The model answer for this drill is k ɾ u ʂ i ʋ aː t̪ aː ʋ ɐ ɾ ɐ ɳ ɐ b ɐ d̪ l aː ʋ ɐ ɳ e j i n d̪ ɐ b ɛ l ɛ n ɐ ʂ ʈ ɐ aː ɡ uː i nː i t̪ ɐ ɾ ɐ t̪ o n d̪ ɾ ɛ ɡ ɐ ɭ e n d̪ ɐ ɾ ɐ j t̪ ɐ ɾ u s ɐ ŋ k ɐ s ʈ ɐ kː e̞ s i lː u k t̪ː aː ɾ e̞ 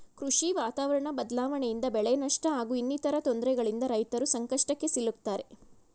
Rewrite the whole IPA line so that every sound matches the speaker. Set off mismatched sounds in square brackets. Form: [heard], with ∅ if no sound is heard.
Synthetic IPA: k ɾ u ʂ i ʋ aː t̪ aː ʋ ɐ ɾ ɐ ɳ ɐ b ɐ d̪ l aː ʋ ɐ ɳ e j i n d̪ ɐ b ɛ [ɭ] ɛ n ɐ ʂ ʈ ɐ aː ɡ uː i nː i t̪ ɐ ɾ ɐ t̪ o n d̪ ɾ ɛ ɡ ɐ ɭ [i] n d̪ ɐ ɾ ɐ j t̪ ɐ ɾ u s ɐ ŋ k ɐ [ʂ] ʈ ɐ kː e̞ s i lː u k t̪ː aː ɾ e̞